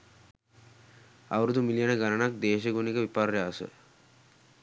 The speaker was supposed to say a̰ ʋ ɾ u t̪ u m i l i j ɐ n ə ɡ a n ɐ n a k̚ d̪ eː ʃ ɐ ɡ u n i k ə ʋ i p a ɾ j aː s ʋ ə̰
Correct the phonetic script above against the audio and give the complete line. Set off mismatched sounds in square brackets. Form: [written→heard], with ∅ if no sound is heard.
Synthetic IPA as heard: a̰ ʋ ɾ u [t̪→d̪] u m i l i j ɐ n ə ɡ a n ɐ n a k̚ d̪ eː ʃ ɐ ɡ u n i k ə ʋ i p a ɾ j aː s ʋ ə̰